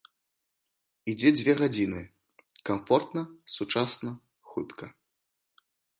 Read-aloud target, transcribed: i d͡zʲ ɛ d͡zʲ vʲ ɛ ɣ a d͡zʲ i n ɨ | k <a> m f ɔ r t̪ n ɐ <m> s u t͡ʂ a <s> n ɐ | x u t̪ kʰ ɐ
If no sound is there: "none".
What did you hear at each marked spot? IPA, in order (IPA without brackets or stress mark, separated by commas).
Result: a, none, s